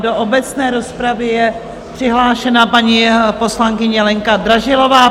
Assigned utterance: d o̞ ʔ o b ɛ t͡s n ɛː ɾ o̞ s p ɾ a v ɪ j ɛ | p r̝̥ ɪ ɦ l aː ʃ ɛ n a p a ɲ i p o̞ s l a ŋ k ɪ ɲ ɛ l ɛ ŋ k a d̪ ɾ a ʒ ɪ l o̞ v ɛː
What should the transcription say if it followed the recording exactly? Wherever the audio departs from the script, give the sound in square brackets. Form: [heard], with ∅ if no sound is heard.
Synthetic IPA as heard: d o̞ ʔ o b ɛ t͡s n ɛː ɾ o̞ s p ɾ a v ɪ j ɛ | p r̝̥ ɪ ɦ l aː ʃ ɛ n a p a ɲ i p o̞ s l a ŋ k ɪ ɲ ɛ l ɛ ŋ k a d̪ ɾ a ʒ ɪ l o̞ v [aː]